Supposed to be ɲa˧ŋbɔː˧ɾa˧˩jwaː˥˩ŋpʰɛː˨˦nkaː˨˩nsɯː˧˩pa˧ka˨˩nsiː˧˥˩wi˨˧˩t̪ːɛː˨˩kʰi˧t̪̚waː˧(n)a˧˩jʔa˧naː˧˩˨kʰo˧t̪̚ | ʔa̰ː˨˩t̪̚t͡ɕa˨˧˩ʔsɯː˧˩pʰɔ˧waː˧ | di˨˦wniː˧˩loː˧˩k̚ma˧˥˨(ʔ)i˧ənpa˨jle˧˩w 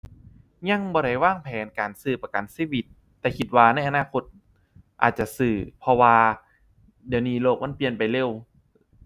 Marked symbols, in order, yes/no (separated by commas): yes, no